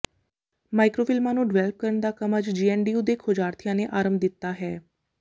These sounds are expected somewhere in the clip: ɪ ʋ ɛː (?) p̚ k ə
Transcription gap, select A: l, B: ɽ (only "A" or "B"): A